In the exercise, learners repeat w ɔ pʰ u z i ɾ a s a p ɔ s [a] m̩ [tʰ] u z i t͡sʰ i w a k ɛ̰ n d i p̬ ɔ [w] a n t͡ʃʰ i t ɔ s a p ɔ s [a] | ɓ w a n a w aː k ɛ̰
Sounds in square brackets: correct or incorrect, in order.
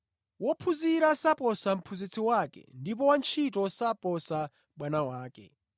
correct, incorrect: pʰ, correct, correct

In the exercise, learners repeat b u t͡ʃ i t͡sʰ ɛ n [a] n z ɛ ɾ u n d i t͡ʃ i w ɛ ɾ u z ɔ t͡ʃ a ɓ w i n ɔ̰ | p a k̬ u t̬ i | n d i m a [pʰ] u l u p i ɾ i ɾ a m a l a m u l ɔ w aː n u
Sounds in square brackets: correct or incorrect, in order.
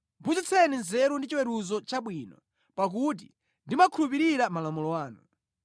incorrect: i, incorrect: kʰ

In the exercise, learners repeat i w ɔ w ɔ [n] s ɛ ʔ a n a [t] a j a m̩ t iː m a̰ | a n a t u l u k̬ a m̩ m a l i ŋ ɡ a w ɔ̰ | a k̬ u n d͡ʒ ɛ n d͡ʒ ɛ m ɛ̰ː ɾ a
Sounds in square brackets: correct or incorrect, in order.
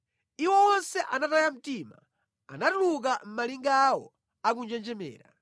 correct, correct

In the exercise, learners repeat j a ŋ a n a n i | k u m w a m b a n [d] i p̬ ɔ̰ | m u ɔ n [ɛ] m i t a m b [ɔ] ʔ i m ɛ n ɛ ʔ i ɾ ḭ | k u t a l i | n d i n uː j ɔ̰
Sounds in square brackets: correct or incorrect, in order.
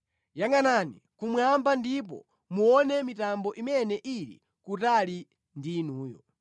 correct, correct, correct

